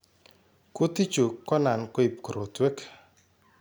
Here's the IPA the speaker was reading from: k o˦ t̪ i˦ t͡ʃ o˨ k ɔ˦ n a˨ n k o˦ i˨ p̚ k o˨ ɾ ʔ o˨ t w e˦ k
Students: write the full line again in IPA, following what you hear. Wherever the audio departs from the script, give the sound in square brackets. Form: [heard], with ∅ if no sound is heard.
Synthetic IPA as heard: k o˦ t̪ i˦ t͡ʃ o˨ k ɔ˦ n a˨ n k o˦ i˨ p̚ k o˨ ɾ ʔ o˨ t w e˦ k

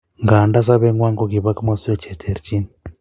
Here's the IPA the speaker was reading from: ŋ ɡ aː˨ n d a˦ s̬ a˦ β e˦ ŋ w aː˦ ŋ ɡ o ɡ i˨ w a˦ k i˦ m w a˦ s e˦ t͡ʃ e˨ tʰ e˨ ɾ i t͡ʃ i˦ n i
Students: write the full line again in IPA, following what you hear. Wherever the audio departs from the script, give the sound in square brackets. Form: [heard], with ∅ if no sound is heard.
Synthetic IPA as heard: ŋ ɡ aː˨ n d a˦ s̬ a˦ β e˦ ŋ w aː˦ ŋ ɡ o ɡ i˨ [β] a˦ k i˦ m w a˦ s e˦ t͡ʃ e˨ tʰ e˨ ɾ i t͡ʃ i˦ n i

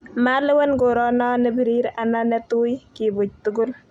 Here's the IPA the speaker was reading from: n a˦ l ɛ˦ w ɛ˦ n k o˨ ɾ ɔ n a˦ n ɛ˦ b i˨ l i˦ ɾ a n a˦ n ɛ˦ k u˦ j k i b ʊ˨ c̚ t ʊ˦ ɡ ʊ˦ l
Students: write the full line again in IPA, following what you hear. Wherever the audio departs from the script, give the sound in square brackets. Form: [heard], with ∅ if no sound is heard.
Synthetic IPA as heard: [m] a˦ l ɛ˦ w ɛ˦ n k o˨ ɾ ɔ n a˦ n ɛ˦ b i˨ [ɾ] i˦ ɾ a n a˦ n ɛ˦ [t] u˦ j k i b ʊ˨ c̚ t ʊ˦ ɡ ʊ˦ l

